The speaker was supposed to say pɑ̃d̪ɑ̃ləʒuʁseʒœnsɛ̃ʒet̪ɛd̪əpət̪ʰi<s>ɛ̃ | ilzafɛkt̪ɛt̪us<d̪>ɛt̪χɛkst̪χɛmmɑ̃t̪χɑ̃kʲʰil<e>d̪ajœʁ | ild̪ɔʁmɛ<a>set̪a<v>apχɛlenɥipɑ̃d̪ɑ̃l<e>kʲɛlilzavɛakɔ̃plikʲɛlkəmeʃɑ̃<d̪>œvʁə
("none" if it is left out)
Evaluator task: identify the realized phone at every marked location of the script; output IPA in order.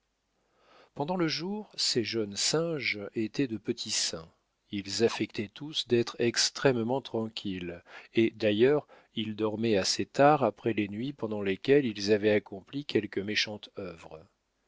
s, d̪, e, a, ʁ, e, t̪

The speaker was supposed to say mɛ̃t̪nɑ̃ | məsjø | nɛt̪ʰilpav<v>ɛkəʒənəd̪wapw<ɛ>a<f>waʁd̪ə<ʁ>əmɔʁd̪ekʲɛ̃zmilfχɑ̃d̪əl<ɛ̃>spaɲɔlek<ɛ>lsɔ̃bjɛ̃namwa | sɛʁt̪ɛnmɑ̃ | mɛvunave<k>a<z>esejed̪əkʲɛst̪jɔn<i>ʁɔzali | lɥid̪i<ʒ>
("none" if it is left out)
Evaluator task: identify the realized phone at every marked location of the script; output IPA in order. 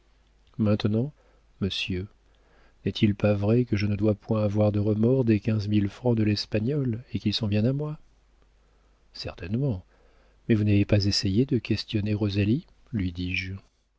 ʁ, ɛ̃, v, ʁ, ɛ, i, p, z, e, ʒ

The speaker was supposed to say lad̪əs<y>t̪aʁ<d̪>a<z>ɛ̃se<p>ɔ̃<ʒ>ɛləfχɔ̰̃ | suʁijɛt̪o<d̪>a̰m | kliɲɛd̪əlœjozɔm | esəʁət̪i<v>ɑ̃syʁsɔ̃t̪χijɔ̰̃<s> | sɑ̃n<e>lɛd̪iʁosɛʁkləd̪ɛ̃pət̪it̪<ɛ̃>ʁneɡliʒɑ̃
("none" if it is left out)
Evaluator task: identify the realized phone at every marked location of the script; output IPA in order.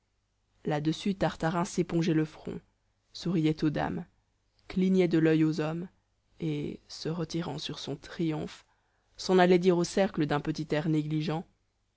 y, t̪, ʁ, p, ʒ, d̪, ʁ, f, a, ɛ

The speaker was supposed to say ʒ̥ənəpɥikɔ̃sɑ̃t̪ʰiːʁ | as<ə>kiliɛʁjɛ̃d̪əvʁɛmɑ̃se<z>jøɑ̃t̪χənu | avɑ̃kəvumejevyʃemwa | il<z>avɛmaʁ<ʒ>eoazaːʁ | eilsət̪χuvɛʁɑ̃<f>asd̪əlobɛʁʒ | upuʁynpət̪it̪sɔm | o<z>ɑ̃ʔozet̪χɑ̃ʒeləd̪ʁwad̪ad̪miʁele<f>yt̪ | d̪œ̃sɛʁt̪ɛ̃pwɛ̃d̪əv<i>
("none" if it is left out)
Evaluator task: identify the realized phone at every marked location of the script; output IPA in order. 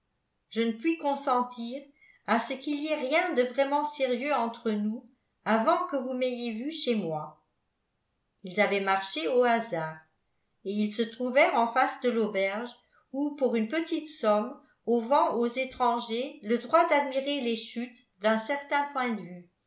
ə, ʁ, z, ʃ, f, v, ʃ, y

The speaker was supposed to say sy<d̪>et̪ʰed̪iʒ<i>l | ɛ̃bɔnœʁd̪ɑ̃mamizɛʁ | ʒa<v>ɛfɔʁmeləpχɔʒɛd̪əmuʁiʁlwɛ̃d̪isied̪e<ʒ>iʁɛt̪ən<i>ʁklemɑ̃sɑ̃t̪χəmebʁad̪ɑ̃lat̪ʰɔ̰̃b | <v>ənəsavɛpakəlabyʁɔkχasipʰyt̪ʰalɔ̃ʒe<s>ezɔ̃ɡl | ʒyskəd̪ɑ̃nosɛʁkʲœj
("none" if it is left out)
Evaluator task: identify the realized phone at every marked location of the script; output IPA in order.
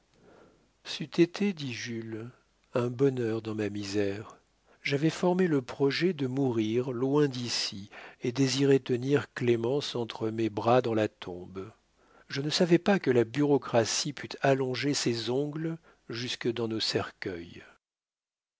t̪, y, v, z, i, ʒ, s

